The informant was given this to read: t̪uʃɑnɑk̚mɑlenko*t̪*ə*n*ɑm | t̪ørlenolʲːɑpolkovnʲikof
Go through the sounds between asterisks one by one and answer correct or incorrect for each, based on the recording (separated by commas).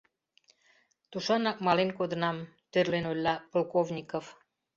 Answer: incorrect, correct